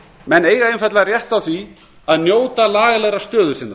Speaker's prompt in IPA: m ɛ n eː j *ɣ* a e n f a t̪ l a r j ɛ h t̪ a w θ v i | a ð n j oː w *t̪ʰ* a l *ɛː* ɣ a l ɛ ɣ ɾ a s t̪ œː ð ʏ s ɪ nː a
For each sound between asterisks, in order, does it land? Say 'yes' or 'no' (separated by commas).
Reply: yes, no, no